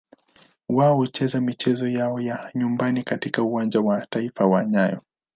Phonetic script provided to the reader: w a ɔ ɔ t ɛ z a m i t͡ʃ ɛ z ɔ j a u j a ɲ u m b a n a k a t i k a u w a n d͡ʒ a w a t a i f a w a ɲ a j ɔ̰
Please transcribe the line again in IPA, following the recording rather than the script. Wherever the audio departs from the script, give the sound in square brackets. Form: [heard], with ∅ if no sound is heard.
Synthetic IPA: w a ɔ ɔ [t͡ʃ] ɛ z a m i t͡ʃ ɛ z ɔ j a [ɔ] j a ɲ u m b a n [i] k a t i k a u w a n d͡ʒ a w a t a i f a w a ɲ a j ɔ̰